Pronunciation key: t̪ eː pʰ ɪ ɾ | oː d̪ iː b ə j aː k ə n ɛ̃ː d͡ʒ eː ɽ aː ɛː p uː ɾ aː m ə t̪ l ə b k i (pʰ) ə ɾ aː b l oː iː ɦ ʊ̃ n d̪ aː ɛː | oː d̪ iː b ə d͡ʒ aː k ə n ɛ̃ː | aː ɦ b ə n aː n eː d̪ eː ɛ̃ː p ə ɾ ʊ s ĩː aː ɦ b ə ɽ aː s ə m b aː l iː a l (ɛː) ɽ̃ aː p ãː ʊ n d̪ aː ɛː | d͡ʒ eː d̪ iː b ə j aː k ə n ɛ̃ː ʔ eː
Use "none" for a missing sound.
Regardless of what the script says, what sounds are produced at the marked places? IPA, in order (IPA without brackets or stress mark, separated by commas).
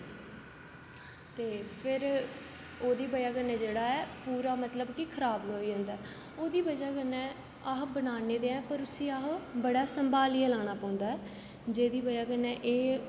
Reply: kʰ, aː